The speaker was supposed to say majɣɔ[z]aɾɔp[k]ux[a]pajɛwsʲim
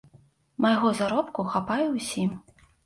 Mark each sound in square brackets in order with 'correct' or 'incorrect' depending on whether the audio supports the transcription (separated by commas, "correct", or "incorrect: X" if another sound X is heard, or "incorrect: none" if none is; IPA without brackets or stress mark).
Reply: correct, correct, correct